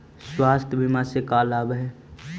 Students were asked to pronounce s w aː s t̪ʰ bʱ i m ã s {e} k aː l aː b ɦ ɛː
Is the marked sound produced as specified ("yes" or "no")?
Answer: yes